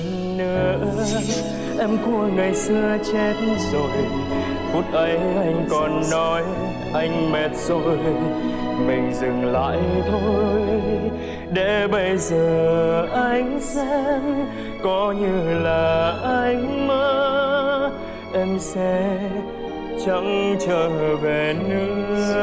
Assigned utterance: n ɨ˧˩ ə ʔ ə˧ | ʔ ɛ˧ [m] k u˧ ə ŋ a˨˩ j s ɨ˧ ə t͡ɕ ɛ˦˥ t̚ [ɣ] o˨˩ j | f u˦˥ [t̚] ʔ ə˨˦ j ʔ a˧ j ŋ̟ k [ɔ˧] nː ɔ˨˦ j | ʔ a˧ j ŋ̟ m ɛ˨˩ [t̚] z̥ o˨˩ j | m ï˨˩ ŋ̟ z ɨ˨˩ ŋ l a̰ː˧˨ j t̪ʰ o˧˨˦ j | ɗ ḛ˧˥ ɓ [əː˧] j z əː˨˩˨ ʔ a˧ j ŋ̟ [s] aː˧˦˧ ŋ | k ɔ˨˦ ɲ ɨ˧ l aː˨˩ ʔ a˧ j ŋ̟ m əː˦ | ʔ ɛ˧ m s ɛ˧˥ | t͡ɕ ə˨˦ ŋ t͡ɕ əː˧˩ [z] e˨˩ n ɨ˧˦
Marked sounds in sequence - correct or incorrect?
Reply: correct, incorrect: z, correct, incorrect: ɔ˨˩, correct, incorrect: ə˧, correct, incorrect: v

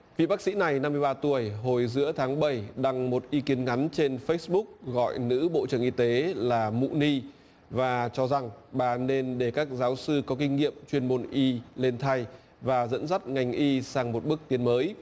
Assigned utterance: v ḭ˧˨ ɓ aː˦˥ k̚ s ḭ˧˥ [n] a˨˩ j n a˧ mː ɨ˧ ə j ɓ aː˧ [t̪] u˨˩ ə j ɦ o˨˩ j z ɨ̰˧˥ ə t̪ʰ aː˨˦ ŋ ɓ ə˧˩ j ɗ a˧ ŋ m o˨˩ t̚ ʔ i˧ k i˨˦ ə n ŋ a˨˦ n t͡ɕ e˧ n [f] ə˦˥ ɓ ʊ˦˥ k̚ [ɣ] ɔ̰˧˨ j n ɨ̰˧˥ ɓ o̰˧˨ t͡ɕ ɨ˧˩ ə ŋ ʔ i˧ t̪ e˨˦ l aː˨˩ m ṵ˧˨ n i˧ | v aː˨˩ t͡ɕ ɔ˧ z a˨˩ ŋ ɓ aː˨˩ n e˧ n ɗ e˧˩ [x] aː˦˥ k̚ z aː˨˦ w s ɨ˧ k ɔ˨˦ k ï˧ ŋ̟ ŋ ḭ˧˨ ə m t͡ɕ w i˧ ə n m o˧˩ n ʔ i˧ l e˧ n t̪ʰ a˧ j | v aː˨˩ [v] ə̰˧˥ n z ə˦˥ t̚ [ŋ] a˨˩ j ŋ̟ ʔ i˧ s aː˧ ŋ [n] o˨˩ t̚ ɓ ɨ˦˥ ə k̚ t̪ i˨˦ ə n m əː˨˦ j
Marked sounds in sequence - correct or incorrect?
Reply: correct, correct, correct, correct, incorrect: k, incorrect: z, correct, incorrect: m

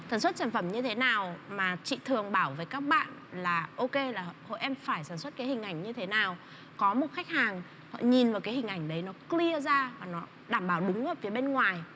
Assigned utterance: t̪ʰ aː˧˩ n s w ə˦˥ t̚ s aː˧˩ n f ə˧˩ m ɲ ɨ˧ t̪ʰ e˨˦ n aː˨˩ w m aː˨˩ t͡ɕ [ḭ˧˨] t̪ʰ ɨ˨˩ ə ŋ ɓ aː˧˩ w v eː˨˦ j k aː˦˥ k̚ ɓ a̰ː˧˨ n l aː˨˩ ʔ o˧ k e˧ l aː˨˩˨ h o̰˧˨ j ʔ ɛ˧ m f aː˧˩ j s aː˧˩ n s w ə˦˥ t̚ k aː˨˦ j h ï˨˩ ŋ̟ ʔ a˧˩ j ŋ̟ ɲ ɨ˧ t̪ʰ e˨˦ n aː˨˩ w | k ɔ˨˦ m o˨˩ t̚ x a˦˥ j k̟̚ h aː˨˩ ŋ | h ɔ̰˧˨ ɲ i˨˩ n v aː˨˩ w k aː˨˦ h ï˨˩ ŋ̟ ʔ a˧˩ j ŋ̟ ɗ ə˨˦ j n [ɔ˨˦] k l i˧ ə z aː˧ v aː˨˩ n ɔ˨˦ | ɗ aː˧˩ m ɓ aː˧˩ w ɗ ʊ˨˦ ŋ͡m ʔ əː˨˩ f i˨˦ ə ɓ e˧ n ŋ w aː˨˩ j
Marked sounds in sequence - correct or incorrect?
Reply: correct, correct

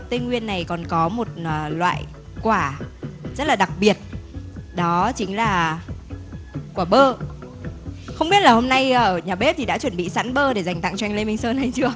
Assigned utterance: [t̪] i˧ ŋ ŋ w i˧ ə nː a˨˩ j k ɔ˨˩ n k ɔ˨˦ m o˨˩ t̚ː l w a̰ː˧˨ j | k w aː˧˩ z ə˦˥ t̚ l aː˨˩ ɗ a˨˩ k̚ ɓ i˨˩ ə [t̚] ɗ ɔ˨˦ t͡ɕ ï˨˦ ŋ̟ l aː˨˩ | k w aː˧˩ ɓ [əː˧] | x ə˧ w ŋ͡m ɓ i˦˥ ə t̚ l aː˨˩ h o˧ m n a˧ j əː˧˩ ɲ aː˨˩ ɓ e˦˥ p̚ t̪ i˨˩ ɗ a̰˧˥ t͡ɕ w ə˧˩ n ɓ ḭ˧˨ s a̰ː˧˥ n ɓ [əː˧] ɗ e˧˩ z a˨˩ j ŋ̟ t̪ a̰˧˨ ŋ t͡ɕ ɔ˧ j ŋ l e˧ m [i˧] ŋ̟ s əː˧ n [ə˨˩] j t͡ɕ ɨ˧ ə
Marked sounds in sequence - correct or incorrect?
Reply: correct, correct, correct, correct, correct, incorrect: a˨˩

